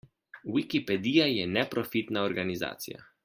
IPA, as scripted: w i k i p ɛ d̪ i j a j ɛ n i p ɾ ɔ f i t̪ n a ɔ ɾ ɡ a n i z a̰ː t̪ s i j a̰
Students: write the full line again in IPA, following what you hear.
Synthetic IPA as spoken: w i k i p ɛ d̪ i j a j ɛ n ɛ p ɾ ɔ f i t̪ n a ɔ ɾ ɡ a n i z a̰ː t̪ s i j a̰